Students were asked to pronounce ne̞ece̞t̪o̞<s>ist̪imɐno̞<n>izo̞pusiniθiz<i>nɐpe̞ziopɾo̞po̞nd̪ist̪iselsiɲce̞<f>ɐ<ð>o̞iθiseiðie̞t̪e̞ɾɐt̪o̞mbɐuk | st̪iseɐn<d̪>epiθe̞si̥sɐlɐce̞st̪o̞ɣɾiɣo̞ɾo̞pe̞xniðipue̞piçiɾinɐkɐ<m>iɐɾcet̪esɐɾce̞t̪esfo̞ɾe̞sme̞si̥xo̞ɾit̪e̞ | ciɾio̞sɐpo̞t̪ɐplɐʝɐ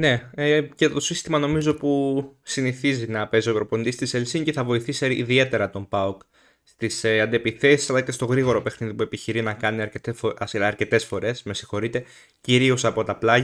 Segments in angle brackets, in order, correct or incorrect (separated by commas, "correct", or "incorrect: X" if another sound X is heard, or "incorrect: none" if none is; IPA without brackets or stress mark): correct, incorrect: m, correct, incorrect: θ, incorrect: v, correct, incorrect: n